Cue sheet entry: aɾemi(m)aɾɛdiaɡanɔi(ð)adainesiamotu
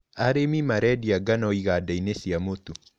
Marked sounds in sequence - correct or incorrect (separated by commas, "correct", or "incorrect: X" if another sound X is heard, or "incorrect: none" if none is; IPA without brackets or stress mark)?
correct, incorrect: ɣ